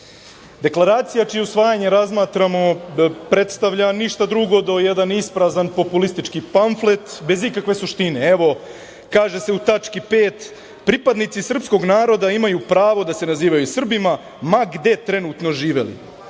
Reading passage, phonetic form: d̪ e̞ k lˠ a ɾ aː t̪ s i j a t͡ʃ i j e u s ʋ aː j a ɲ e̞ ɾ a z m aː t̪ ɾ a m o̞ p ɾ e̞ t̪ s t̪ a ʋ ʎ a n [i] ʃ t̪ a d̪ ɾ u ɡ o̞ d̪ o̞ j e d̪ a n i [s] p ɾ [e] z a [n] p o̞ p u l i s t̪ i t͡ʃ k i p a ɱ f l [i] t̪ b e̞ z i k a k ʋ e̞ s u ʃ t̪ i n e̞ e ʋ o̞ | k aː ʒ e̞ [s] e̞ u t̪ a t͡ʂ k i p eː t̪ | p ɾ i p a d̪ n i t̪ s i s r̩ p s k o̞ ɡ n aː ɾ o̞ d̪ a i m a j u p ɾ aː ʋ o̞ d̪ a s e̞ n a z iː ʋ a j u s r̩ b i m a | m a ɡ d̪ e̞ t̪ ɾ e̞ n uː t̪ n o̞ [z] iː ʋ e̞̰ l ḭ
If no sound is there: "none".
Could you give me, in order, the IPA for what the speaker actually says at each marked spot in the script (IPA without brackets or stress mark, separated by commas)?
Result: i, s, a, n, e, s, ʒ